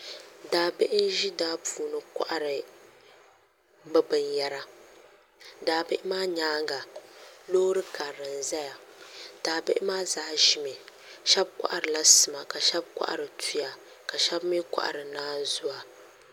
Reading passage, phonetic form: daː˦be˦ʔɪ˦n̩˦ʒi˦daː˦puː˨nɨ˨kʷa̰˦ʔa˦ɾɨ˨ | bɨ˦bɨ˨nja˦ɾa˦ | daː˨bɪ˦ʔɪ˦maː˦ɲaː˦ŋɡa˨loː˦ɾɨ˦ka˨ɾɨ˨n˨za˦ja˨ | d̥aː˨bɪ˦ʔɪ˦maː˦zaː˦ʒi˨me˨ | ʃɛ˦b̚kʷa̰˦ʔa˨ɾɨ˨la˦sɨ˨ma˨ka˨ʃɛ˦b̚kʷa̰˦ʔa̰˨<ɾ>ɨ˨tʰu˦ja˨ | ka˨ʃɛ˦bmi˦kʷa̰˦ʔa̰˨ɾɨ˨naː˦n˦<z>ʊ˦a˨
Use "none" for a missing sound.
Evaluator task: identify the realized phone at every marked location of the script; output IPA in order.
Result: ɾ, z

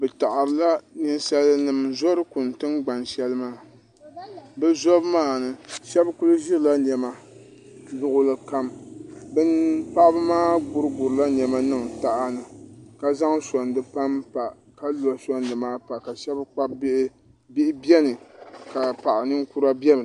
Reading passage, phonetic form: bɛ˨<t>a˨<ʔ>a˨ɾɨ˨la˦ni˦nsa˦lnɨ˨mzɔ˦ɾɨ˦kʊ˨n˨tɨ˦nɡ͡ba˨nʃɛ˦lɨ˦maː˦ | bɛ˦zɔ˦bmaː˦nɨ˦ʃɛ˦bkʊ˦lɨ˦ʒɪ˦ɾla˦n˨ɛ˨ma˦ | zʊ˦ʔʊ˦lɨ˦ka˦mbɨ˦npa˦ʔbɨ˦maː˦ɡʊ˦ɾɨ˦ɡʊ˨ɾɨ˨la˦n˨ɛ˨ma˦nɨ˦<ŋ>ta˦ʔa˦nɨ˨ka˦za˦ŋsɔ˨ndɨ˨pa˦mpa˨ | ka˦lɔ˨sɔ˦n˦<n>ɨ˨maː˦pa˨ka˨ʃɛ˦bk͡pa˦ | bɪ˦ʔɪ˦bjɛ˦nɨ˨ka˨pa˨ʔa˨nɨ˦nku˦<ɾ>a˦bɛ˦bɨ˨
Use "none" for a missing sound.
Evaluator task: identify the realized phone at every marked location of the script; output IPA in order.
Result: t, ʔ, ŋ, d, ɾ

